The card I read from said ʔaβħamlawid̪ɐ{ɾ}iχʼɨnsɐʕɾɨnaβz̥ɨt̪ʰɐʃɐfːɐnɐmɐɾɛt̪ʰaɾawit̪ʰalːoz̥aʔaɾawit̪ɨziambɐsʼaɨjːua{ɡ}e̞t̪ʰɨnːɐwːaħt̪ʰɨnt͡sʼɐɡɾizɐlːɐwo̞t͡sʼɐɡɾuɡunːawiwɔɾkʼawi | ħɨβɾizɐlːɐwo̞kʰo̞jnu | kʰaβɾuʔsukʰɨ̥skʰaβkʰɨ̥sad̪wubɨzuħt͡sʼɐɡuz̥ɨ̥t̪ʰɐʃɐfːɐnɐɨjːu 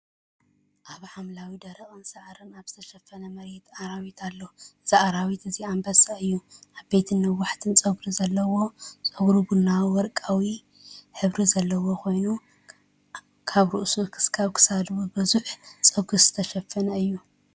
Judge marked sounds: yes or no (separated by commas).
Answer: yes, no